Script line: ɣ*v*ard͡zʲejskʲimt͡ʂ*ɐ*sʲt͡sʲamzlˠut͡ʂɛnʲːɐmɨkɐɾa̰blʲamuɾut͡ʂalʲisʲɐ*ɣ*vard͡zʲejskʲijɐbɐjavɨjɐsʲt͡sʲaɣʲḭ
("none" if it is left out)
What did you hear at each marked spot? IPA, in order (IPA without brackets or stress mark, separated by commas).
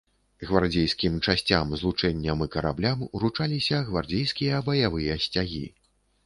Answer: v, a, ɣ